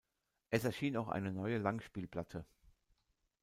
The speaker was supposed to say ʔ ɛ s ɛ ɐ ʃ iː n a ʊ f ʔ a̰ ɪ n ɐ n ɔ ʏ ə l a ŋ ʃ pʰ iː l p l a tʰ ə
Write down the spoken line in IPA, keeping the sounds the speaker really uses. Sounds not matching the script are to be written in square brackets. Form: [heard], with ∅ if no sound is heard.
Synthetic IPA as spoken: ʔ ɛ s ɛ ɐ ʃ iː n a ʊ [x] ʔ a̰ ɪ n [ə] n ɔ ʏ ə l a ŋ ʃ [p] iː l p l a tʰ ə